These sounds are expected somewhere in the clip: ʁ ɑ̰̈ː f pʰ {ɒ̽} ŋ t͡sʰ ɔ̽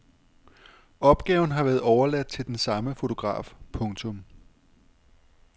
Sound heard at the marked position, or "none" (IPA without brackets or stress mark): ɔ̽